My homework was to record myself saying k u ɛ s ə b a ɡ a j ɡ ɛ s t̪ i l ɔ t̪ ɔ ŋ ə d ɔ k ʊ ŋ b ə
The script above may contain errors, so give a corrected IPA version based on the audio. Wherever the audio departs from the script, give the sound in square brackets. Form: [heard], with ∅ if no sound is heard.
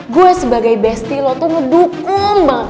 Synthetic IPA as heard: [ɡ] u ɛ s ə b a ɡ a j [b] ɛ s t̪ i l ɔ t̪ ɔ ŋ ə d [u] k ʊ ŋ b [a]